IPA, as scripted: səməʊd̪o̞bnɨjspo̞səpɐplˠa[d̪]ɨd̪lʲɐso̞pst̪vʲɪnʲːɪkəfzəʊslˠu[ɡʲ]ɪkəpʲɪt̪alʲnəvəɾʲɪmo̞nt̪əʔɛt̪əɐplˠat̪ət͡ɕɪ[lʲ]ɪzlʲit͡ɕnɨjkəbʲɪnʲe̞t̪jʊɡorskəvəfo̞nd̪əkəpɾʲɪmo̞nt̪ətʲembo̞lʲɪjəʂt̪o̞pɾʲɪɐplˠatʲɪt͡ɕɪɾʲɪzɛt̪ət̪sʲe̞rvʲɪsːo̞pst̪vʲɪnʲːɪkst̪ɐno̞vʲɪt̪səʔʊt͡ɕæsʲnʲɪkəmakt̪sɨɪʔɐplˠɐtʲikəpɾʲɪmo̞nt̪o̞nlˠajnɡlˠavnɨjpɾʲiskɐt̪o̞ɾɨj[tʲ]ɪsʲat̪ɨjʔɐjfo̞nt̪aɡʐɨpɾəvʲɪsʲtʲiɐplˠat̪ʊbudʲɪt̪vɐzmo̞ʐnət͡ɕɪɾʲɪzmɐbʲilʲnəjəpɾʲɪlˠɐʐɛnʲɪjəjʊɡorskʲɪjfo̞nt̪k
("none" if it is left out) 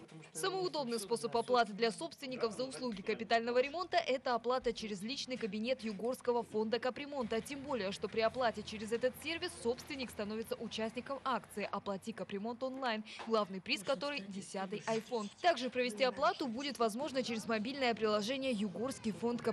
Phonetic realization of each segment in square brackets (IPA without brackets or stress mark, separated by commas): t̪, ɡʲ, ɾʲ, dʲ